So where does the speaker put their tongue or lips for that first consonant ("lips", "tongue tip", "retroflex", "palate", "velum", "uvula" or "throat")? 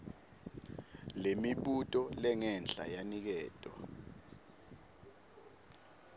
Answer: tongue tip